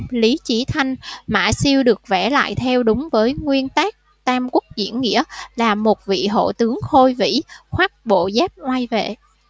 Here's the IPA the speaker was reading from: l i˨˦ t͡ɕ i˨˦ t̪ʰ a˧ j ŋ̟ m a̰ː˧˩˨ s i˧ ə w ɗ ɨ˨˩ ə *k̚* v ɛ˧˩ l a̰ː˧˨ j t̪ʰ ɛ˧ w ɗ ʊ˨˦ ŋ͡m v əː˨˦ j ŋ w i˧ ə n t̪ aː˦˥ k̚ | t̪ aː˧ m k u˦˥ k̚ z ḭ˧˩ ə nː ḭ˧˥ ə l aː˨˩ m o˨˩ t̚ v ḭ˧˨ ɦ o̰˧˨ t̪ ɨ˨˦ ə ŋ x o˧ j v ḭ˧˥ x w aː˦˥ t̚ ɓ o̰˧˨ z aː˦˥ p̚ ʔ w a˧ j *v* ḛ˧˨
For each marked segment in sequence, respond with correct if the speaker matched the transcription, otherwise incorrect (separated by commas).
correct, correct